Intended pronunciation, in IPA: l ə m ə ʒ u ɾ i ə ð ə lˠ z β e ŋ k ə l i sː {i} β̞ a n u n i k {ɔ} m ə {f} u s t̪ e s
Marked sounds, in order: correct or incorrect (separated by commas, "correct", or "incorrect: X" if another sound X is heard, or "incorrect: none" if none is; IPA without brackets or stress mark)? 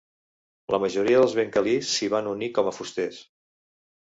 correct, correct, correct